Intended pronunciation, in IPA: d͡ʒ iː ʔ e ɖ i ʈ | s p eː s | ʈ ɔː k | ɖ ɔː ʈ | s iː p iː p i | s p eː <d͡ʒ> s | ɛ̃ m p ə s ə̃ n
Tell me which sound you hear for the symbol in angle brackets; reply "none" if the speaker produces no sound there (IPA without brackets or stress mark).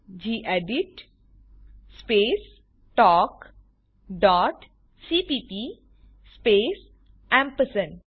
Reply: none